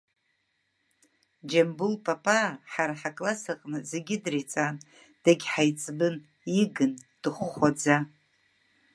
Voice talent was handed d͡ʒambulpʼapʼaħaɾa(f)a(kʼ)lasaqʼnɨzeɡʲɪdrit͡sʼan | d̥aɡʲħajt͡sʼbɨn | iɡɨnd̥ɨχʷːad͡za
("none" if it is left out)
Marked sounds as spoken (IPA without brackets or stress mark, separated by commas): ħ, kʼ